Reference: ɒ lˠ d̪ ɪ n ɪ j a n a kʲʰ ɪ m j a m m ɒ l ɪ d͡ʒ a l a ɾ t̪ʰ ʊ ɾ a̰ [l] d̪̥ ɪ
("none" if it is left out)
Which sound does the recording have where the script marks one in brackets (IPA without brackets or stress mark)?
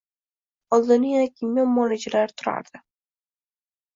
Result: ɾ